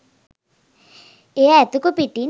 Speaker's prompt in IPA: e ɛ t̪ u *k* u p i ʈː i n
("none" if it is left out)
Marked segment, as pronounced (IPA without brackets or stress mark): k